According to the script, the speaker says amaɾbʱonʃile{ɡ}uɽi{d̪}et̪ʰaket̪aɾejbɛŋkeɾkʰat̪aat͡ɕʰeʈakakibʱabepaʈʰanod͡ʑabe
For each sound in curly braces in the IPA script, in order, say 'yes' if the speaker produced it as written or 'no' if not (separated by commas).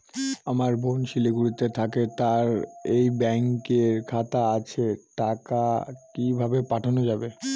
yes, no